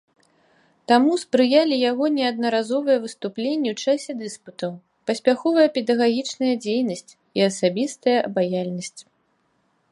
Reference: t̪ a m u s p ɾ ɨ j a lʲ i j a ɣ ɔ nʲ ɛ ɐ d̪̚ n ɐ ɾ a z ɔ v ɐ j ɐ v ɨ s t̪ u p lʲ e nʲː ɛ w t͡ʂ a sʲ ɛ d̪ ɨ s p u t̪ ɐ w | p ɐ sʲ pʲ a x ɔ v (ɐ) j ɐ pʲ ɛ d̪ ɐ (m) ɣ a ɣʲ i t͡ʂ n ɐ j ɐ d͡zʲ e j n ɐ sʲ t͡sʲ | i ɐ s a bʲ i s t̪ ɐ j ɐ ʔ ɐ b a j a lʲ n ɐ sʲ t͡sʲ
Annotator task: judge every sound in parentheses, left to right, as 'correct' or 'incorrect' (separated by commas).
correct, incorrect